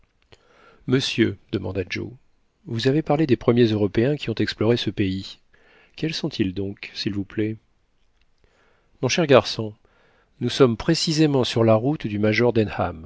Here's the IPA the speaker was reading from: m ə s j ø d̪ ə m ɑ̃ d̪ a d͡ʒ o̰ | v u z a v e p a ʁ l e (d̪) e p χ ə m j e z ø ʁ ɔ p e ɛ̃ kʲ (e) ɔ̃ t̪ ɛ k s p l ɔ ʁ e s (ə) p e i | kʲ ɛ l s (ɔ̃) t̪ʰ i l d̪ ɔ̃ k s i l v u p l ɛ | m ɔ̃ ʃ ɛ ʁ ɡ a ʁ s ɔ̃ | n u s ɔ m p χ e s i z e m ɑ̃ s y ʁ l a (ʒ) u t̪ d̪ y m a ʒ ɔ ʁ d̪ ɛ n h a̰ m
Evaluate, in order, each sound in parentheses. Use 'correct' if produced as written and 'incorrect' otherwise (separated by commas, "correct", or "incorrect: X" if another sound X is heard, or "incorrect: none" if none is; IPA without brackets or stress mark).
correct, incorrect: i, correct, correct, incorrect: ʁ